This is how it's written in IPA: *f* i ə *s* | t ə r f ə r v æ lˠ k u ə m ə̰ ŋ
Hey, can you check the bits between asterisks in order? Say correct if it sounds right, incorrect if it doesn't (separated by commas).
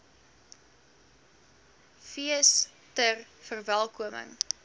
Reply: correct, correct